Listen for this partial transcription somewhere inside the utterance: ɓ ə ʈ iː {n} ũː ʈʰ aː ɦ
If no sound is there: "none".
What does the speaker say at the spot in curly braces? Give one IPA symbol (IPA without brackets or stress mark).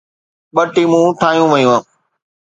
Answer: m